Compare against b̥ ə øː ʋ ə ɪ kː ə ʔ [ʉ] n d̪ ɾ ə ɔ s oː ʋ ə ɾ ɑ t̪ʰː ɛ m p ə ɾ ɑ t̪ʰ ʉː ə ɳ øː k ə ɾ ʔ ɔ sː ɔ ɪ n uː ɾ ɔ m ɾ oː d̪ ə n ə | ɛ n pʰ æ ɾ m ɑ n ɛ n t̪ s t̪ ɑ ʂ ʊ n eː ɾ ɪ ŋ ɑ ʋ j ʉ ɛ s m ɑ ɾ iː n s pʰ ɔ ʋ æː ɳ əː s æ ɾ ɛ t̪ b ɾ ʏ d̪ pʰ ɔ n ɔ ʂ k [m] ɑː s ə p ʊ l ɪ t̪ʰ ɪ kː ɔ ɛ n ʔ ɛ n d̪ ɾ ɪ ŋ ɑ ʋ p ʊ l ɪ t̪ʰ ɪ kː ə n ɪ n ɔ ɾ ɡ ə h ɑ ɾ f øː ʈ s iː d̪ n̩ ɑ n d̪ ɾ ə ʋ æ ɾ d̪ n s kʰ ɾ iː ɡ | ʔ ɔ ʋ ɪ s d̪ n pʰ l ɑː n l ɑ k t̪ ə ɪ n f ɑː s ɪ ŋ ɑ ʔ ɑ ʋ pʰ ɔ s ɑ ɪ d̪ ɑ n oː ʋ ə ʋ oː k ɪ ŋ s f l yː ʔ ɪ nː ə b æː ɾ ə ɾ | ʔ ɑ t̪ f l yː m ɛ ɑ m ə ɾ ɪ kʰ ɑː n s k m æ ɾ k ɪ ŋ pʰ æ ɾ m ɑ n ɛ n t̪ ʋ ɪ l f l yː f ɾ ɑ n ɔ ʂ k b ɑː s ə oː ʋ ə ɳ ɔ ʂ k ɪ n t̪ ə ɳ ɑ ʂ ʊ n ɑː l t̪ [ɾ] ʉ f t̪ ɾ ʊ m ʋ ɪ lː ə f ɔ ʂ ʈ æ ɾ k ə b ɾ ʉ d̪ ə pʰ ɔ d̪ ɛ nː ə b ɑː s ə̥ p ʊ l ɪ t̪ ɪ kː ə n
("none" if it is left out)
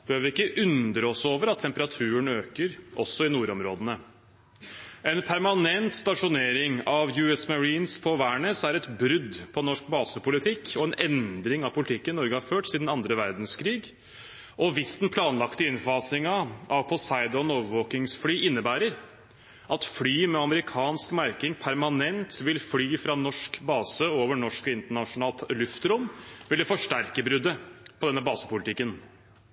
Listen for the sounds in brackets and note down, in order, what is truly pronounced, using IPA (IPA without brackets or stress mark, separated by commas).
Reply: ʉ, b, l